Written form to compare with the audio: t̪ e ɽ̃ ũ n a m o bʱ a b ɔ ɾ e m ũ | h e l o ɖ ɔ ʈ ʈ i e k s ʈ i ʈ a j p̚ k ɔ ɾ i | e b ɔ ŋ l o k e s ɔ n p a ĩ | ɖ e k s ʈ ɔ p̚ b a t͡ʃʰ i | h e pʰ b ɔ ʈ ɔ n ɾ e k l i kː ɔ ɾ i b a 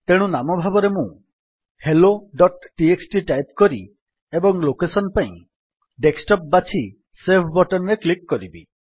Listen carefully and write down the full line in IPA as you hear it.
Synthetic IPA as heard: t̪ e ɽ̃ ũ n a m ɔ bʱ a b ɔ ɾ e m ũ | h e l o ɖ ɔ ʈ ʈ i e k s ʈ i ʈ a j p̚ k ɔ ɾ i | e b ɔ ŋ l o k e s ɔ n p a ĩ | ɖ e k s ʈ ɔ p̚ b a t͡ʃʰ i | s e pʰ b ɔ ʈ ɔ n ɾ e k l i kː ɔ ɾ i b i

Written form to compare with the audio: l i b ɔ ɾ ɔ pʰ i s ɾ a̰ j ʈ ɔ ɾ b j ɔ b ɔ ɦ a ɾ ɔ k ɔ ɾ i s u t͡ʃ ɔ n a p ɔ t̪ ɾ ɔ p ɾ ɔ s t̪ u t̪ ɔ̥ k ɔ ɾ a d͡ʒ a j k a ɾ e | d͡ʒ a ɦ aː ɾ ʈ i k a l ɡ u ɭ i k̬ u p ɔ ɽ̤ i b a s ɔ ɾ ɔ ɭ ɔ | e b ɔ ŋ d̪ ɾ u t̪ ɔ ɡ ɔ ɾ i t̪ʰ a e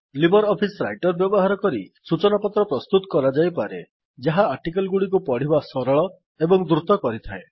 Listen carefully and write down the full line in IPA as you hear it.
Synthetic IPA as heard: l i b ɔ ɾ ɔ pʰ i s ɾ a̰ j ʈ ɔ ɾ b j ɔ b ɔ ɦ a ɾ ɔ k ɔ ɾ i s u t͡ʃ ɔ n a p ɔ t̪ ɾ ɔ p ɾ ɔ s t̪ u t̪ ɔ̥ k ɔ ɾ a d͡ʒ a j p a ɾ e | d͡ʒ a ɦ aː ɾ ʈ i k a l ɡ u ɽ i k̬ u p ɔ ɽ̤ i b a s ɔ ɾ ɔ ɭ ɔ | e b ɔ ŋ d̪ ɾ u t̪ ɔ k ɔ ɾ i t̪ʰ a e

